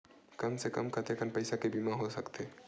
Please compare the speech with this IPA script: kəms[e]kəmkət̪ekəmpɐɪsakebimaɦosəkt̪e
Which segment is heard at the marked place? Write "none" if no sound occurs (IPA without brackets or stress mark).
e